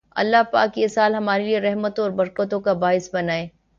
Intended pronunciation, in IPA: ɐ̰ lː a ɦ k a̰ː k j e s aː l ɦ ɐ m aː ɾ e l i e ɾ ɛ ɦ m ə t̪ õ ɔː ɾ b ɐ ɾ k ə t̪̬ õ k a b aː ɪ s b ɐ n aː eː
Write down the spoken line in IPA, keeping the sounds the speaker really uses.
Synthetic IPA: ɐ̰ lː a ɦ p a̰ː k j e s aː l ɦ ɐ m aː ɾ e l i e ɾ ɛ ɦ m ə t̪ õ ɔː ɾ b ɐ ɾ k ə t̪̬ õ k a b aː ɪ s b ɐ n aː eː